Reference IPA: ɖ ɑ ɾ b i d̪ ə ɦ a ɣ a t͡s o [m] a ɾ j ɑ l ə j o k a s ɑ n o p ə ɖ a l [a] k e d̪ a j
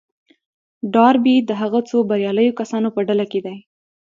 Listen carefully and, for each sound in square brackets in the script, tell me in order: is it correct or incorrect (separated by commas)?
incorrect, correct